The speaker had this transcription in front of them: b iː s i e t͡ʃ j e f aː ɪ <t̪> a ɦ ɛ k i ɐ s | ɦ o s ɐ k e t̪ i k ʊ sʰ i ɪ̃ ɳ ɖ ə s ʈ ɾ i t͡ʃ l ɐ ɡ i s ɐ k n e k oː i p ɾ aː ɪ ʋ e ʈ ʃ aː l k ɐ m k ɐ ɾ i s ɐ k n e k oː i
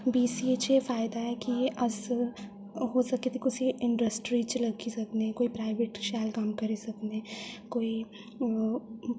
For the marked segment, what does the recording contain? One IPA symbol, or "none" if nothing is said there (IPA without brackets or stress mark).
d̪